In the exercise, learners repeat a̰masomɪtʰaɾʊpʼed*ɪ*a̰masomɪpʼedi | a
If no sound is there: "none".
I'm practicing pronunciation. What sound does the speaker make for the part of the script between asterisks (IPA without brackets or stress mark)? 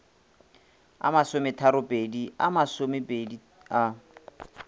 i